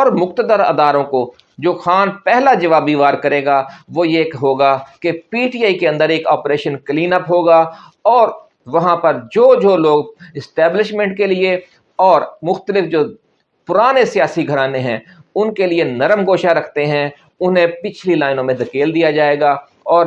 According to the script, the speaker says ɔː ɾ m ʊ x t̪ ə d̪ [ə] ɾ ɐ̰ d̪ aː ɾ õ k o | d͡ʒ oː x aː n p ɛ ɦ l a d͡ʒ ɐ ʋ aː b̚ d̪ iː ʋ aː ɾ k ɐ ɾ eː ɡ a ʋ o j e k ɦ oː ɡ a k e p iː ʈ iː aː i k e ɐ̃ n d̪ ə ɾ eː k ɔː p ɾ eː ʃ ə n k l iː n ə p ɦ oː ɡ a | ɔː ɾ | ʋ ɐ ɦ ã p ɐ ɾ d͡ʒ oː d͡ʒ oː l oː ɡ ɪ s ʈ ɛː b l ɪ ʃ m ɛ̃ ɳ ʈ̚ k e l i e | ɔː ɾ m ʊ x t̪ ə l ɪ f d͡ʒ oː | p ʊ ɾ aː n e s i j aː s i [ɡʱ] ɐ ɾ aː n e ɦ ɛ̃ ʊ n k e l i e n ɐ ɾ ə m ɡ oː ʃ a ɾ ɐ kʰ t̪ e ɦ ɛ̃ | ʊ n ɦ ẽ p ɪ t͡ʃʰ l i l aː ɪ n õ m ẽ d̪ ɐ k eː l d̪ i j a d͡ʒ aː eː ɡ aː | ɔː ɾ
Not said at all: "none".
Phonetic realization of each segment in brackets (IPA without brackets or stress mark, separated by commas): ə, ɡʱ